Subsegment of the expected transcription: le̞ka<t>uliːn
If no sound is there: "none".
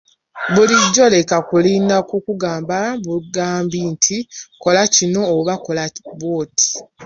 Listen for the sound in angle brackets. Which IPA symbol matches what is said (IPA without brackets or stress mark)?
k